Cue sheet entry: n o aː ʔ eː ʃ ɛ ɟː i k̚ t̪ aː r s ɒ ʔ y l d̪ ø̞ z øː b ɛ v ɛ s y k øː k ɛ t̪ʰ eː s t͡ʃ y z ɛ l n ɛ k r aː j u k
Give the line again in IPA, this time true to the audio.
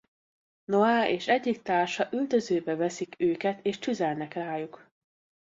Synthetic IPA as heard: n o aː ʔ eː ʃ ɛ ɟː i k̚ t̪ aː r ʃ ɒ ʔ y l d̪ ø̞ z øː b ɛ v ɛ s i k øː k ɛ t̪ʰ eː ʃ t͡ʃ y z ɛ l n ɛ k r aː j u k